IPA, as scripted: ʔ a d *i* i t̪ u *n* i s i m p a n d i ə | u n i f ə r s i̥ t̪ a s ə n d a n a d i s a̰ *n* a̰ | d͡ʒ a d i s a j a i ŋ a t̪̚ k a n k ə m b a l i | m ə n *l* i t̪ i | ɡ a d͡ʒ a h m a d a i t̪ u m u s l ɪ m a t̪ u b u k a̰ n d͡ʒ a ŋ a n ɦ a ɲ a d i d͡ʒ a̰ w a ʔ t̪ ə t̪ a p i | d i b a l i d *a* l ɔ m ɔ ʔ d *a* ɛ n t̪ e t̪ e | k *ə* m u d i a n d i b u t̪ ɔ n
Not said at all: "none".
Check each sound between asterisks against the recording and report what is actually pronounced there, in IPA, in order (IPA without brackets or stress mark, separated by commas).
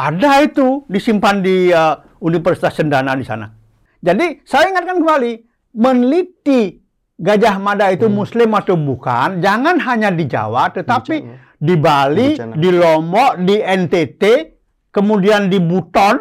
a, d, n, l, i, i, ə